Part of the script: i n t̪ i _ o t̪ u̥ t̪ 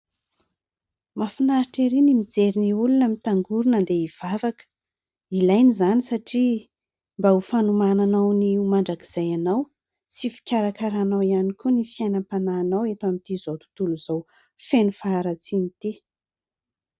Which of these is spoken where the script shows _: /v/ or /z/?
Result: z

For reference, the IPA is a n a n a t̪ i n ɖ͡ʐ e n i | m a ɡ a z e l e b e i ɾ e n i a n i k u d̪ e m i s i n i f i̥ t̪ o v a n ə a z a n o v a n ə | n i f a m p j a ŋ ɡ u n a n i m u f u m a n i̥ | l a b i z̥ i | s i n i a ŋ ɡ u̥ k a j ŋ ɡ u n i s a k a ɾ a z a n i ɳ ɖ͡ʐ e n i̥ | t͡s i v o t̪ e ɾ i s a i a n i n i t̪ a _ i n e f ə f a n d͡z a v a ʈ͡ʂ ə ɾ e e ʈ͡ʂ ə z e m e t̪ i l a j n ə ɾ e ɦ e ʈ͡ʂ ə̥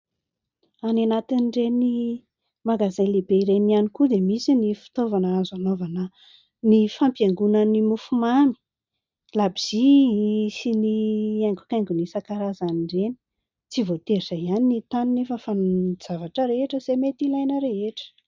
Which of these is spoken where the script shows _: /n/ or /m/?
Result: n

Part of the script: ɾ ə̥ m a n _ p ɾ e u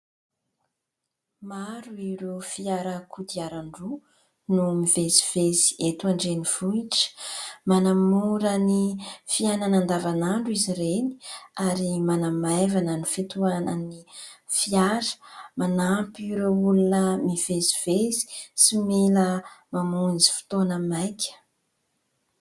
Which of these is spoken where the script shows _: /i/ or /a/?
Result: a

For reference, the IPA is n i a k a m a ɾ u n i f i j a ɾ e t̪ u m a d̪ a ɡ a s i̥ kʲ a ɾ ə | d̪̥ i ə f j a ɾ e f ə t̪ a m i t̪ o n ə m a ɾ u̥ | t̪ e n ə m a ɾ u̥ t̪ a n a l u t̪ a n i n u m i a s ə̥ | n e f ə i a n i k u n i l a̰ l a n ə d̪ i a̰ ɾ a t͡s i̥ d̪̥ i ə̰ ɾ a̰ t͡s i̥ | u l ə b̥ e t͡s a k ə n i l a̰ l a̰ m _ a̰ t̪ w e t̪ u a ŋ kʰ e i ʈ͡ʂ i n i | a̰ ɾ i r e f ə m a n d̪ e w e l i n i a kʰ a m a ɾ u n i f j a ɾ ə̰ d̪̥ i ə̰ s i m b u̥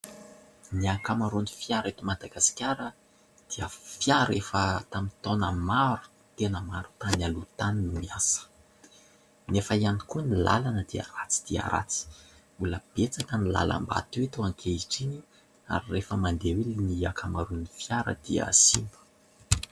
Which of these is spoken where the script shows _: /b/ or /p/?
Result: b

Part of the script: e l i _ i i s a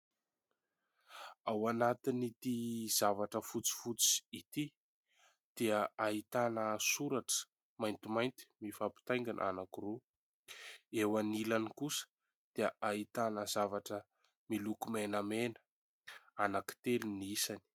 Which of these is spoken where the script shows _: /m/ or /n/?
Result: n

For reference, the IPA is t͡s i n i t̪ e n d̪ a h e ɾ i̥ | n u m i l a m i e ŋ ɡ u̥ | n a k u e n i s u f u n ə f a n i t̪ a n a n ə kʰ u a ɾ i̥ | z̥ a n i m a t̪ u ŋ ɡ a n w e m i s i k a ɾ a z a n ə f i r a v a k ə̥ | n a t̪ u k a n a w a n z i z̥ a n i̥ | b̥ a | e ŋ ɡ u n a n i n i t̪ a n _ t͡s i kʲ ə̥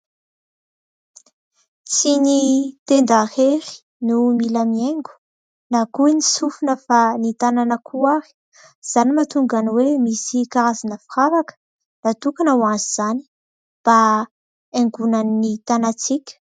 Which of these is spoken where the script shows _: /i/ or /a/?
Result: a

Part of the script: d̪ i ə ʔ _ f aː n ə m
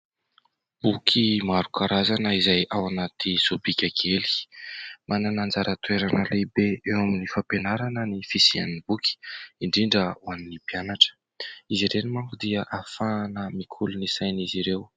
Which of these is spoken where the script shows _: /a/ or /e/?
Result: a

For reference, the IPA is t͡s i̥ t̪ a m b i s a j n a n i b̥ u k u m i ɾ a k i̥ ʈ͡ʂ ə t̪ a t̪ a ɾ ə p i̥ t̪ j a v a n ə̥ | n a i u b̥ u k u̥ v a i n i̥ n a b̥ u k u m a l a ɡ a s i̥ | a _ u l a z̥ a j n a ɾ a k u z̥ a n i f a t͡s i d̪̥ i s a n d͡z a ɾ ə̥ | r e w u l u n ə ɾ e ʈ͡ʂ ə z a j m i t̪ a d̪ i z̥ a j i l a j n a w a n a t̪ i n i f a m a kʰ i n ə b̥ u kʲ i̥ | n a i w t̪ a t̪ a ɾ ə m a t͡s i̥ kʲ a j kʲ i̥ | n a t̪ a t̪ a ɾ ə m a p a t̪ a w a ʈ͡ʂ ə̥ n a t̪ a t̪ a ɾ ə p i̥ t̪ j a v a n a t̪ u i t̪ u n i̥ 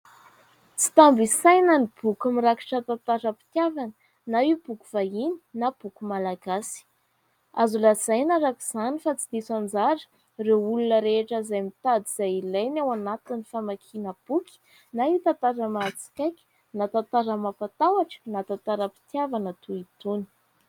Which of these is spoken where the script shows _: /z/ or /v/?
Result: z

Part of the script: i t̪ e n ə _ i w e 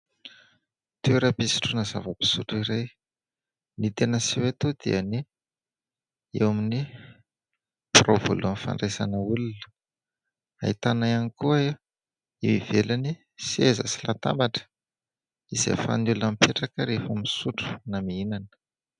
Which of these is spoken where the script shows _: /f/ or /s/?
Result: s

